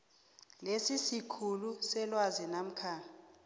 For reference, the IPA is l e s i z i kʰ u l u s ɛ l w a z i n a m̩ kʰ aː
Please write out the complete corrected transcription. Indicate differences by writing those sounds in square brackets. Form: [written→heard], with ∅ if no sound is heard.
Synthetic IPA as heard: l e s i [z→s] i kʰ u l u s ɛ l w a z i n a m̩ kʰ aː

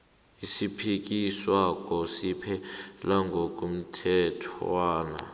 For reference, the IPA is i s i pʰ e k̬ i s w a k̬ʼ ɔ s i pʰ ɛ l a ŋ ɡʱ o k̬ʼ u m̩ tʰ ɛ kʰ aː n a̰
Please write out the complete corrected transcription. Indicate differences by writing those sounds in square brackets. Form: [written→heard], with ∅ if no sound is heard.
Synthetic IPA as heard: i s i pʰ [e→i] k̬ i s w a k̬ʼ ɔ s i pʰ ɛ l a ŋ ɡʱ o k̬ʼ u m̩ tʰ ɛ [kʰ→tʰ] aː n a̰

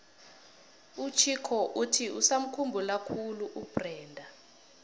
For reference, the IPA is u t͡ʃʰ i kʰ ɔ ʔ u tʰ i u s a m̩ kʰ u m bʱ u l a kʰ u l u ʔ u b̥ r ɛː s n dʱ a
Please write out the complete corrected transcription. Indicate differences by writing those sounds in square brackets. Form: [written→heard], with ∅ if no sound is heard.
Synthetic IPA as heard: u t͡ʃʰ i kʰ ɔ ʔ u tʰ i u s a m̩ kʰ u m bʱ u l a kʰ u l u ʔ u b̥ r ɛː [s→∅] n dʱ a

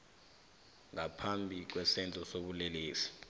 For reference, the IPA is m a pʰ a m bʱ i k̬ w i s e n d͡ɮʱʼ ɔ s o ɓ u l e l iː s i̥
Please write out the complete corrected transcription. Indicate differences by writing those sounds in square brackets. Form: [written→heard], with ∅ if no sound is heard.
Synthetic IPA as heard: [m→ŋ] a pʰ a m bʱ i k̬ w [i→ɛ] s [e→ɛ] n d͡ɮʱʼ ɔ s o ɓ u l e l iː s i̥

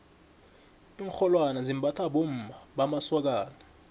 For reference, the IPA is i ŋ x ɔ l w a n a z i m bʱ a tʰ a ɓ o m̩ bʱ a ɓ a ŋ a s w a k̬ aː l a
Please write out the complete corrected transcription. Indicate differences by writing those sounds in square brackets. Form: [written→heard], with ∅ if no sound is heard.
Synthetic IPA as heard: i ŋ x ɔ l w a n a z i m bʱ a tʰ a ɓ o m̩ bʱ a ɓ a [ŋ→m] a s w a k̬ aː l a

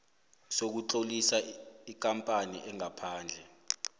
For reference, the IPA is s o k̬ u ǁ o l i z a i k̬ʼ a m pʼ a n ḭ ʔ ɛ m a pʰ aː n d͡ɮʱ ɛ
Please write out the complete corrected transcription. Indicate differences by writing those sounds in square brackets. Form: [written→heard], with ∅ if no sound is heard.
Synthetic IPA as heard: s o k̬ u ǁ o l i [z→s] a i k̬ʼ a m pʼ a n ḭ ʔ ɛ [m→ŋ] a pʰ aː n d͡ɮʱ ɛ

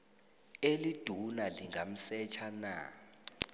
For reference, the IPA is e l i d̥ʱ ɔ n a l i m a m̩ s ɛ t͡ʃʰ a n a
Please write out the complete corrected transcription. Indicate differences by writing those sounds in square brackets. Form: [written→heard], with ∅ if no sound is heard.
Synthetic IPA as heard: e l i d̥ʱ [ɔ→u] n a l i [m→ŋ] a m̩ s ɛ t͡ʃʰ a n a

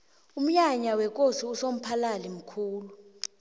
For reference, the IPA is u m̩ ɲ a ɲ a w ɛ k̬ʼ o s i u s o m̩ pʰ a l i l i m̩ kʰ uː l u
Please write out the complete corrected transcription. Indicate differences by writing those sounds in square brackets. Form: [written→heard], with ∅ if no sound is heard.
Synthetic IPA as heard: u m̩ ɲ a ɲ a w ɛ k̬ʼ o s i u s o m̩ pʰ a l [i→a] l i m̩ kʰ uː l u

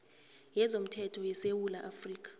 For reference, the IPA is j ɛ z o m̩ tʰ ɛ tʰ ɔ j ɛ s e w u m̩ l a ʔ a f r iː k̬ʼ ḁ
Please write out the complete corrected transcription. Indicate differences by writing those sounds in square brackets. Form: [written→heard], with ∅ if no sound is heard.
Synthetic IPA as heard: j ɛ z o m̩ tʰ ɛ tʰ ɔ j ɛ s e w u [m̩→∅] l a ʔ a f r iː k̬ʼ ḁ

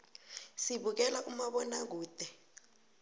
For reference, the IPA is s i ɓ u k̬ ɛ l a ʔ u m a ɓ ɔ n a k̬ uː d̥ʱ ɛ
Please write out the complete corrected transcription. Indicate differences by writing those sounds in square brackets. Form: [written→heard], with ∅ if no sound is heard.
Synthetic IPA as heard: s i ɓ u k̬ ɛ l a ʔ u m a ɓ ɔ n a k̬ uː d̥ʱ ɛ

